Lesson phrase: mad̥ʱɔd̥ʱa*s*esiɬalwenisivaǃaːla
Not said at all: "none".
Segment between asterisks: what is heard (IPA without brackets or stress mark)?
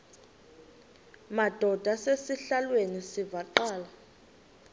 s